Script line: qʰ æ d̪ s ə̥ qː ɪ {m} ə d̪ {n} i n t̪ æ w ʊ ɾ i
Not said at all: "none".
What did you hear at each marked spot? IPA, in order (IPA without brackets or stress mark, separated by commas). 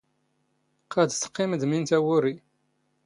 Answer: m, m